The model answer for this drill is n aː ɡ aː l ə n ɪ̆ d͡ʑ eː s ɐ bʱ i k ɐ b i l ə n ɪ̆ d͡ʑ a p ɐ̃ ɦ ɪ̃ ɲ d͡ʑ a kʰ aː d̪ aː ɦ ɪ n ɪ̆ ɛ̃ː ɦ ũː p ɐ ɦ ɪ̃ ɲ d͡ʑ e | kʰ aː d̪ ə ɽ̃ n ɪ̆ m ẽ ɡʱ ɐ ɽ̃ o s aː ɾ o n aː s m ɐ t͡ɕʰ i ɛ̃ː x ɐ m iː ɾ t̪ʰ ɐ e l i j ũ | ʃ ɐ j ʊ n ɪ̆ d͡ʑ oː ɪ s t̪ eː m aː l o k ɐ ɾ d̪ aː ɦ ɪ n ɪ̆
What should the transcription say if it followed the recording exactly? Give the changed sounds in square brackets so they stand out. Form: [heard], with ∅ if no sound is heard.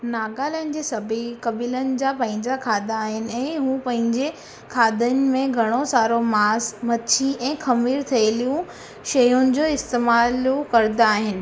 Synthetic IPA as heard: n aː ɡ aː l ə n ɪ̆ d͡ʑ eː s ɐ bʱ i k ɐ b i l ə n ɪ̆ d͡ʑ a p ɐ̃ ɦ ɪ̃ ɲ d͡ʑ a kʰ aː d̪ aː ɦ ɪ n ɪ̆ ɛ̃ː ɦ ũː p [ɐ̃] ɦ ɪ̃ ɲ d͡ʑ e | kʰ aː d̪ ə [∅] n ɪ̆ m ẽ ɡʱ ɐ ɽ̃ o s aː ɾ o [m] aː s m ɐ t͡ɕʰ i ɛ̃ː x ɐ m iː ɾ t̪ʰ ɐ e l i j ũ | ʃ ɐ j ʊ n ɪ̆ d͡ʑ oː ɪ s t̪ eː m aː l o k ɐ ɾ d̪ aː ɦ ɪ n ɪ̆